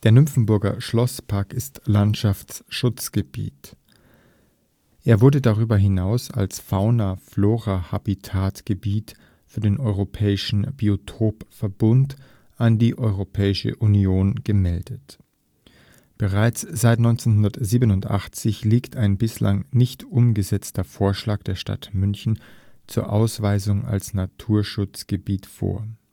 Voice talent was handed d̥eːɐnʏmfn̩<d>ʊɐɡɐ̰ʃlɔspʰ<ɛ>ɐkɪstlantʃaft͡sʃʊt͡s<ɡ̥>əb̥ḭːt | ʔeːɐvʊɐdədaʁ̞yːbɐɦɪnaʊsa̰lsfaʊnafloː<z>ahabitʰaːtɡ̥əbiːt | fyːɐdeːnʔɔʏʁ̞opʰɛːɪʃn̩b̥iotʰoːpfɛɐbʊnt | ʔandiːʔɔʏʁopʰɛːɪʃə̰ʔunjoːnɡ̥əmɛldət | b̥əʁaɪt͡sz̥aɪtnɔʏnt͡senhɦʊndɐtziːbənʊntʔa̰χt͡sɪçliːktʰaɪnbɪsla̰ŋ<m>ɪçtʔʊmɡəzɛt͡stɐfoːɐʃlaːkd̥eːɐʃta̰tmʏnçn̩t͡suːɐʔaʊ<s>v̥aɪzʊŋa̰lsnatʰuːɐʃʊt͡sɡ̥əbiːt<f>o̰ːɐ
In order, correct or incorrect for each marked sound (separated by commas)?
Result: incorrect, incorrect, correct, incorrect, incorrect, correct, correct